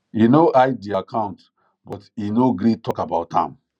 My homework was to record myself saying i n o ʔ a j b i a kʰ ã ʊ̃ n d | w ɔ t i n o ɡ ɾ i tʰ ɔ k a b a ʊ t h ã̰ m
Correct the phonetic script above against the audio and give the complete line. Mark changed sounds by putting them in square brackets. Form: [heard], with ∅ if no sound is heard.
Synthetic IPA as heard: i n o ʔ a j [d] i a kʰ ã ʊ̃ n [t] | [b] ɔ t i n o ɡ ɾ i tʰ ɔ k a b a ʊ t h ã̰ m